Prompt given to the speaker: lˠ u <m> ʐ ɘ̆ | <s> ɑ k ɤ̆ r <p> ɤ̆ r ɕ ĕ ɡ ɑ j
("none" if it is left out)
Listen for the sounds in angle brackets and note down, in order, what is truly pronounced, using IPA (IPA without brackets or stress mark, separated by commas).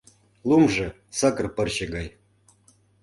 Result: m, s, p